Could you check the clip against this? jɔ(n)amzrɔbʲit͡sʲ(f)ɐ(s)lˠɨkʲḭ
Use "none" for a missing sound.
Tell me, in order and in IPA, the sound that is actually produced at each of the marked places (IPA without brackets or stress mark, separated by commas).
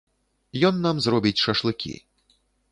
nː, ʂ, ʂ